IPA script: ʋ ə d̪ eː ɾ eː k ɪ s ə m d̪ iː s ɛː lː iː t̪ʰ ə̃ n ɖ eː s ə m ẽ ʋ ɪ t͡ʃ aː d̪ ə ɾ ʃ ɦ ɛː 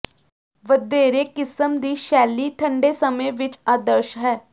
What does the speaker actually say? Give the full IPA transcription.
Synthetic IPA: ʋ ə d̪ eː ɾ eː k ɪ s ə m d̪ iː ʃ ɛː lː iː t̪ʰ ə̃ ɳ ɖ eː s ə m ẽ ʋ ɪ t͡ʃ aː d̪ ə ɾ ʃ ɦ ɛː